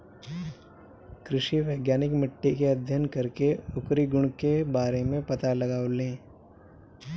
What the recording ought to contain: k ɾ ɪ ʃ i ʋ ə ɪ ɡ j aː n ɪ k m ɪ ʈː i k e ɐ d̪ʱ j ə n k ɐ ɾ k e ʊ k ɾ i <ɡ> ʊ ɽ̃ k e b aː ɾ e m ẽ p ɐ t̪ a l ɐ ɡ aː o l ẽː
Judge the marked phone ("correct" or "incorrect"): correct